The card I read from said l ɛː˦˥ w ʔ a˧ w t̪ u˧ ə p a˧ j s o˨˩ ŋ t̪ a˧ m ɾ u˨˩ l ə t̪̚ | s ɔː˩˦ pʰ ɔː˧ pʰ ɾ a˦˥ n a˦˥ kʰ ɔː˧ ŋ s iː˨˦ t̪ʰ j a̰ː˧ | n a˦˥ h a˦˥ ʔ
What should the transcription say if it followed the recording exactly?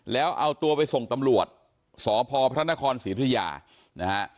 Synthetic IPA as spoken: l ɛː˦˥ w ʔ a˧ w t̪ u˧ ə p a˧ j s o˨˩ ŋ t̪ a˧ m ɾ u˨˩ ə t̪̚ | s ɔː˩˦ pʰ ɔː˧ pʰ ɾ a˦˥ n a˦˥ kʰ ɔː˧ n s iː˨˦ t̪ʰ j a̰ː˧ | n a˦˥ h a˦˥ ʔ